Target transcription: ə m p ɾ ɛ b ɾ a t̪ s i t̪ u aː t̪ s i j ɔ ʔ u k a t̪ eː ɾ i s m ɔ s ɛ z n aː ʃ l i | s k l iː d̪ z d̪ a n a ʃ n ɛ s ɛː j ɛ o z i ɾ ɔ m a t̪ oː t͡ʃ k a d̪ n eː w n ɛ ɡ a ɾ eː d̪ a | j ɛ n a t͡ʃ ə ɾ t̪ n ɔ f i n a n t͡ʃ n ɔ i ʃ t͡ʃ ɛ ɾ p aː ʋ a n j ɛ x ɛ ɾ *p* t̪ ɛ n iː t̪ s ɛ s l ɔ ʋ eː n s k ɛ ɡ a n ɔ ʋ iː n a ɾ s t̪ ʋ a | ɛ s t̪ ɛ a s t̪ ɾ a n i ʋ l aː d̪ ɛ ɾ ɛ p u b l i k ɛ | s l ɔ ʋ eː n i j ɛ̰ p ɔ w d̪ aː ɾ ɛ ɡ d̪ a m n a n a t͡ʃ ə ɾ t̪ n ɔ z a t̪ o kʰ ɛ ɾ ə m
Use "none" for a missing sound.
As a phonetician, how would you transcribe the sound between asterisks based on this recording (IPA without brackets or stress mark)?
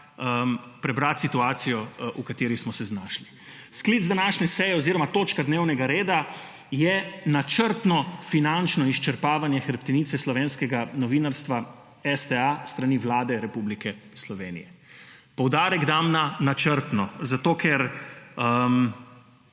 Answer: p